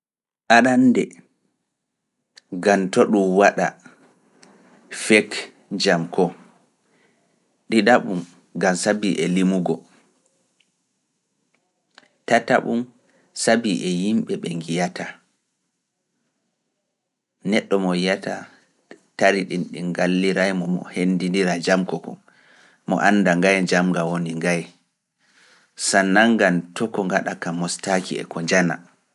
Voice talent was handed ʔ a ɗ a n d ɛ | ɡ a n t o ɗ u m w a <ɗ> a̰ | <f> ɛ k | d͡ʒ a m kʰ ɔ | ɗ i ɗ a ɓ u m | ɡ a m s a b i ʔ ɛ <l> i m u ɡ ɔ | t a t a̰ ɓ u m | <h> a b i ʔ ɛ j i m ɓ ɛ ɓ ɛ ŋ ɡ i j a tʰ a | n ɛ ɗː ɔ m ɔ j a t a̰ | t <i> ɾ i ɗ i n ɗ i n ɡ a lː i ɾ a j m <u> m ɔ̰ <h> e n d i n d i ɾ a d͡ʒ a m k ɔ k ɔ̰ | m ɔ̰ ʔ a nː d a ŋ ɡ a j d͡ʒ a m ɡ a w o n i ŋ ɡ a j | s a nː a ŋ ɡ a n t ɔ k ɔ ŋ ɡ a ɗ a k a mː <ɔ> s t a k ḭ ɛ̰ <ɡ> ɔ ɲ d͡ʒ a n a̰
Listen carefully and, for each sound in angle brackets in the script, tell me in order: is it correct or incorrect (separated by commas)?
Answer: correct, correct, correct, incorrect, incorrect, incorrect, correct, correct, incorrect